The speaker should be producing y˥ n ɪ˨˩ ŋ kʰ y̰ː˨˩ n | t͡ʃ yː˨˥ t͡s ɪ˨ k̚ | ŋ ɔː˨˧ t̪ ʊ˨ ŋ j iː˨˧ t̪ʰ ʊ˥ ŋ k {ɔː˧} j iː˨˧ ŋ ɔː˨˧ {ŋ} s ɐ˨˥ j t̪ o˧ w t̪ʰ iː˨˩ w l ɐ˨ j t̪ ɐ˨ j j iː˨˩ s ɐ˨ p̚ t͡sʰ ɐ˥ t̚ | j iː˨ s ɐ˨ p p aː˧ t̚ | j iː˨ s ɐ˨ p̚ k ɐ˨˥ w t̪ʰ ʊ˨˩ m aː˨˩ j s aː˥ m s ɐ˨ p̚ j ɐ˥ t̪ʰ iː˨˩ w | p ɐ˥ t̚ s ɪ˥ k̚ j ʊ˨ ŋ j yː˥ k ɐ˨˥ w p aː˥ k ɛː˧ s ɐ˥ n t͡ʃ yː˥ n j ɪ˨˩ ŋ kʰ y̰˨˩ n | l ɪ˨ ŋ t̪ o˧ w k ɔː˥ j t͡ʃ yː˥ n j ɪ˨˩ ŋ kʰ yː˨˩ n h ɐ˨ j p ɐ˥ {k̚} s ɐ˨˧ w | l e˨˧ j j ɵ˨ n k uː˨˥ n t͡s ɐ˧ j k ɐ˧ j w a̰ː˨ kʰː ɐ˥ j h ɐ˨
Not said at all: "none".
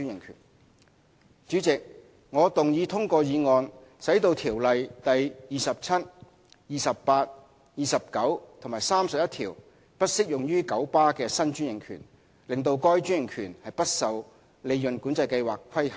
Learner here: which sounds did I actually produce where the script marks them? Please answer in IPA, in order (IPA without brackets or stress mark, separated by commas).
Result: ɔː˧, n, t̚